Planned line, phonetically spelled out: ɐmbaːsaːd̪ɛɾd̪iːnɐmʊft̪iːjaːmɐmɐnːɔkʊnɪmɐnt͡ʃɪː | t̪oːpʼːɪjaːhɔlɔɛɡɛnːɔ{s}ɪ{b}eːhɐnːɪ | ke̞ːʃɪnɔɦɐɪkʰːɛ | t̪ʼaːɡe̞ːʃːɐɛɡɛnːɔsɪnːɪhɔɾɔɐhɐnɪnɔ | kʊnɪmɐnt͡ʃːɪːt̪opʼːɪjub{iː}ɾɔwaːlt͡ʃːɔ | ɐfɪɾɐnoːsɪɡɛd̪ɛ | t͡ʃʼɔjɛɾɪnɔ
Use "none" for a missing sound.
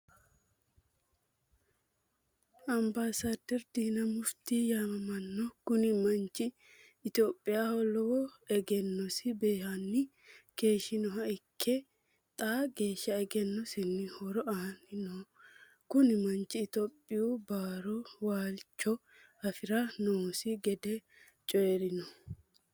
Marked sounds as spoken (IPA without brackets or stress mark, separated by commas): s, b, aː